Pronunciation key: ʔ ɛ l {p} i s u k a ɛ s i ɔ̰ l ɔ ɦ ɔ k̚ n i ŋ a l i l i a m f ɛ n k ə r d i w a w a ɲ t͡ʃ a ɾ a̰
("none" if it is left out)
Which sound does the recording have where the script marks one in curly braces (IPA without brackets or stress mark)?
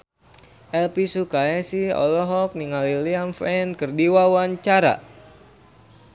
p